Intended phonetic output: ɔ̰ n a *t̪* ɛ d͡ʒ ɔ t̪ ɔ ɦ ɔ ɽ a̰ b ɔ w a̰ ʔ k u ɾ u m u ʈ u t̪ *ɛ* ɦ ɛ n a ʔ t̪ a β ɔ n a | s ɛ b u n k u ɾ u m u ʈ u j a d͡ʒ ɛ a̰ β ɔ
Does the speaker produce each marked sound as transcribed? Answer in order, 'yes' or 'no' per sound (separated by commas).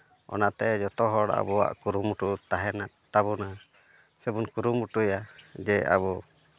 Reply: yes, no